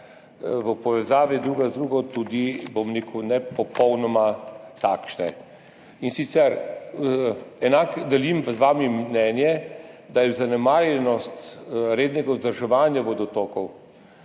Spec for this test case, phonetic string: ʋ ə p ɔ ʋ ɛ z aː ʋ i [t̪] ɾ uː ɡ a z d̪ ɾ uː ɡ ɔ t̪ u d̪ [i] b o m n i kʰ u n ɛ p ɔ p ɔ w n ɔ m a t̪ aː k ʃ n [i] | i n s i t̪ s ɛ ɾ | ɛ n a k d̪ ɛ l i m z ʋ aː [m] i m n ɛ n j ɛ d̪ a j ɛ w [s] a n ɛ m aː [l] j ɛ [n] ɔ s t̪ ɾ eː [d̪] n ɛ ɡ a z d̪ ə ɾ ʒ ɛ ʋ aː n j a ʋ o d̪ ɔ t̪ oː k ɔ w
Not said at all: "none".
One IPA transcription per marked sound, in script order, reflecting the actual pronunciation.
d̪, i, ɛ, m, z, ɾ, n, d̪

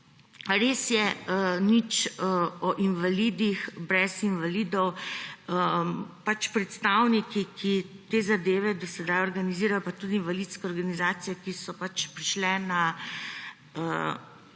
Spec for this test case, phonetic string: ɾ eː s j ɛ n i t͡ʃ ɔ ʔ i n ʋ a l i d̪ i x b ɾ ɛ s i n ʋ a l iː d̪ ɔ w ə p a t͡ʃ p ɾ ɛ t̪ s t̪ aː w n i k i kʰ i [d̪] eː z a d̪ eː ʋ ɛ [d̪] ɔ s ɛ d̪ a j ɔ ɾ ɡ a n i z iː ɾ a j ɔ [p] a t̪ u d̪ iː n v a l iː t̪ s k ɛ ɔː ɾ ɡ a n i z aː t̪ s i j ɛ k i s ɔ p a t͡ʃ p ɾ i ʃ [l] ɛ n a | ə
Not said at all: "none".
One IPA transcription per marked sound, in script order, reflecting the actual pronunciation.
t̪, d̪, p, l

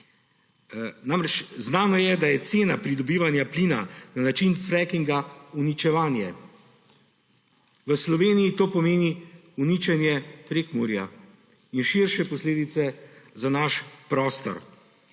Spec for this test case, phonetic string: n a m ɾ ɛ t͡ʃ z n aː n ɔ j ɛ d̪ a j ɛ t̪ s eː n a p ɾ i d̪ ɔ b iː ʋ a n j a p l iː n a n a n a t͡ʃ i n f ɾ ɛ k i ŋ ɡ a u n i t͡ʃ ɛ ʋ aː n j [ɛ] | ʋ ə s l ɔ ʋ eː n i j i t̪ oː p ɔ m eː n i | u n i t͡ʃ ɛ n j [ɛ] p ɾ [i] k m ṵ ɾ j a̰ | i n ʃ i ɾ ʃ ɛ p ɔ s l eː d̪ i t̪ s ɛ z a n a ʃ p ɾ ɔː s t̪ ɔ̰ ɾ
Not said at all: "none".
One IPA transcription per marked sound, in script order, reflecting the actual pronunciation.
ɛ, ɛ, e

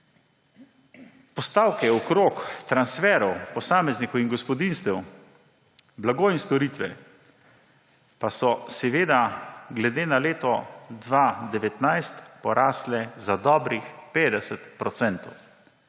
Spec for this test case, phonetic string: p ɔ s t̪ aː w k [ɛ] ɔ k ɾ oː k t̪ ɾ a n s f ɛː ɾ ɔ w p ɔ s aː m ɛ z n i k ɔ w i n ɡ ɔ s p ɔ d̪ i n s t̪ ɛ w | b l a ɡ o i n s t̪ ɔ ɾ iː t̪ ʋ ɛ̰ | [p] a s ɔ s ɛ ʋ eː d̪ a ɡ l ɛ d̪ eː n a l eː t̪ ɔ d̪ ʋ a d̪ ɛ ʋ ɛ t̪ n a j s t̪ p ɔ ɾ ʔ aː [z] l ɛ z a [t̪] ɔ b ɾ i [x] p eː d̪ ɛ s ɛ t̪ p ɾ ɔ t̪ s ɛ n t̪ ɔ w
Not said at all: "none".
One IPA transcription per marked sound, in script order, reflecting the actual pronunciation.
ɛ, p, s, d̪, x

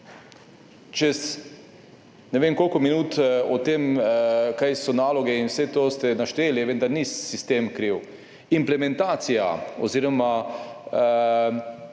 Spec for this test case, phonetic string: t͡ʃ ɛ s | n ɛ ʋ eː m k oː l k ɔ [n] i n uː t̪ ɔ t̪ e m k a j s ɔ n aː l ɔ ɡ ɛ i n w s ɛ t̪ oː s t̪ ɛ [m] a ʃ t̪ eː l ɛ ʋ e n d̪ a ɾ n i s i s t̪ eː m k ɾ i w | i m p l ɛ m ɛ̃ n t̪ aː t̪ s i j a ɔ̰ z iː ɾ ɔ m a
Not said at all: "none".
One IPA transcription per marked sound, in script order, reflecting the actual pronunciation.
m, n

